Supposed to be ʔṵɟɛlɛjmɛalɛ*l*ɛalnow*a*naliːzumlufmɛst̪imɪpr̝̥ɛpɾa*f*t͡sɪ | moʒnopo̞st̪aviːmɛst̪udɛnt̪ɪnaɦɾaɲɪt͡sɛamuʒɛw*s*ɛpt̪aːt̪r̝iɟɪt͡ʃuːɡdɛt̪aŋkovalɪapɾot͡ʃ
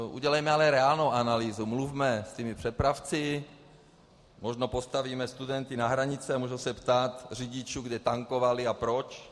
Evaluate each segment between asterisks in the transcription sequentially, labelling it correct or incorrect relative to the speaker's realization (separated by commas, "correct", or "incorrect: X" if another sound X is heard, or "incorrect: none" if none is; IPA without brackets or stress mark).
incorrect: ɾ, correct, correct, correct